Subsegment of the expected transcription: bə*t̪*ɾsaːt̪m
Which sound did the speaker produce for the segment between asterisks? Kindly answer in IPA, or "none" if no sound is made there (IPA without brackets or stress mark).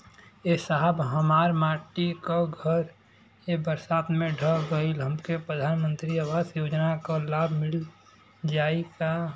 none